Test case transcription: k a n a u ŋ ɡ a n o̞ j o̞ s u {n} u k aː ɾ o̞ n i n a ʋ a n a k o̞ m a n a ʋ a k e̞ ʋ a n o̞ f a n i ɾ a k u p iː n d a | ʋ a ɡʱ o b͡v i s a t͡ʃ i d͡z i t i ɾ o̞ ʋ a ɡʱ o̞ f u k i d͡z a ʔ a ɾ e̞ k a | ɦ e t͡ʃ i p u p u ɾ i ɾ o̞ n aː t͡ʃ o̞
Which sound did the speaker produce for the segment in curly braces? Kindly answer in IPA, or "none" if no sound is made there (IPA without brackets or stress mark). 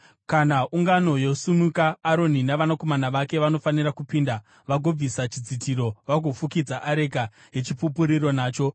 m